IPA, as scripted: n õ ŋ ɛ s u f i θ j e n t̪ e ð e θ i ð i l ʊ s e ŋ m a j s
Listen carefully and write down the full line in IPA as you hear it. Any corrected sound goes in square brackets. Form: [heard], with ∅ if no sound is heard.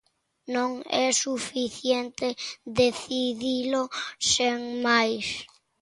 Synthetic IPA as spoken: n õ ŋ ɛ s u f i θ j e n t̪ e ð e θ i ð i l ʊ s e ŋ m a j s